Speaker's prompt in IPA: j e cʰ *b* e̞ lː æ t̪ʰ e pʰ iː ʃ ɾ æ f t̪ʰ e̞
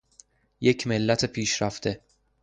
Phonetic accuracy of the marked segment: incorrect: m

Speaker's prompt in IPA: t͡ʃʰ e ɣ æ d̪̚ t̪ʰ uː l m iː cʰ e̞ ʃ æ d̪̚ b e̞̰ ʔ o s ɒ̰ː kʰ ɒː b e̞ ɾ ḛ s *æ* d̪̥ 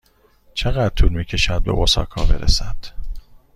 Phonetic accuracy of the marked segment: correct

